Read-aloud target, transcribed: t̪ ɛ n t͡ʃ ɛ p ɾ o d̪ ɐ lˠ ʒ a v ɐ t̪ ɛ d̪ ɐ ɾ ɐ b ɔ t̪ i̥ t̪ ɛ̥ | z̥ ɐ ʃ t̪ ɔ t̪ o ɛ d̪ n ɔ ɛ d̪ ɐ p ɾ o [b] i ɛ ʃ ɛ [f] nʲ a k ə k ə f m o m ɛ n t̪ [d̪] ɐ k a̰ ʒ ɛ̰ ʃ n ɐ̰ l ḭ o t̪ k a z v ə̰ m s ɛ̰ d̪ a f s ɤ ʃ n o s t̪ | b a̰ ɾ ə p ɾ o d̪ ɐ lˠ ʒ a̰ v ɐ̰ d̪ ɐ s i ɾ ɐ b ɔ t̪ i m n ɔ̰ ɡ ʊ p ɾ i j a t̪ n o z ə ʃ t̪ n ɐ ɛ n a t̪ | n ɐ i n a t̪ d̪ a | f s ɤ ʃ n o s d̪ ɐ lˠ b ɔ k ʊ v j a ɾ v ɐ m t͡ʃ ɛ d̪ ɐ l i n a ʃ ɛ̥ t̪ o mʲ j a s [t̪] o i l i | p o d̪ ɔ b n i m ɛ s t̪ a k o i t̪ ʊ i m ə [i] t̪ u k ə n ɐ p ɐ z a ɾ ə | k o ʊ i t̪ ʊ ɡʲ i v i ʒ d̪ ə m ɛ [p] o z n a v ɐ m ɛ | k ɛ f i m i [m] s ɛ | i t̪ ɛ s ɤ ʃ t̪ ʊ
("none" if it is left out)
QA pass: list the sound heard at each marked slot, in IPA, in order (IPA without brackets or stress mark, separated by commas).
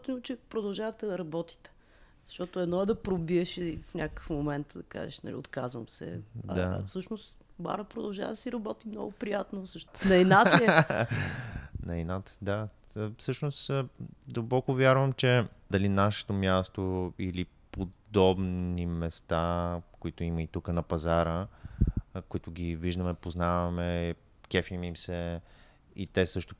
b, f, d̪, t̪, i, p, m